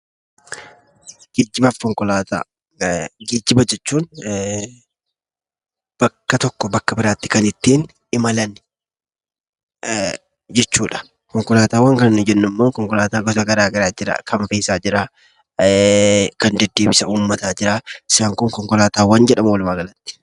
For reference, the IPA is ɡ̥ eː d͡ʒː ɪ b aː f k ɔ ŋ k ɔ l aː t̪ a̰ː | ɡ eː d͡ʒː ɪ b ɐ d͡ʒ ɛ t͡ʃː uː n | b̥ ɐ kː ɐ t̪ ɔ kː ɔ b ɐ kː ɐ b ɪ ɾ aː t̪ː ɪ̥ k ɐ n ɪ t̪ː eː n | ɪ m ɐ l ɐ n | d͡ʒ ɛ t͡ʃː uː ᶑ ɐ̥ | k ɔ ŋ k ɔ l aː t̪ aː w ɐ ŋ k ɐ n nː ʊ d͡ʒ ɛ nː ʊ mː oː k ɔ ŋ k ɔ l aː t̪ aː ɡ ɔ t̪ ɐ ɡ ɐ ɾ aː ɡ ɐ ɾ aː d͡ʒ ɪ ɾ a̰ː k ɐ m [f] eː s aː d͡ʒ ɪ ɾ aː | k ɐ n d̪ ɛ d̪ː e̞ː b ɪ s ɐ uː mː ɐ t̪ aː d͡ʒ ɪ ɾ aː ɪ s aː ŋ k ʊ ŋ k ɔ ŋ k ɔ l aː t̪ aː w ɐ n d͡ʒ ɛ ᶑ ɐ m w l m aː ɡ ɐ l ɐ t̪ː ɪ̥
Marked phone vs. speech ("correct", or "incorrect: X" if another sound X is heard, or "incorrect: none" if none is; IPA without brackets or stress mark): correct